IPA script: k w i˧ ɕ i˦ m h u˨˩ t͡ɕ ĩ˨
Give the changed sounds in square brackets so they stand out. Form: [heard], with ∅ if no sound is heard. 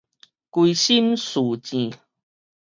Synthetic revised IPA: k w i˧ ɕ i˦ m [s] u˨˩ t͡ɕ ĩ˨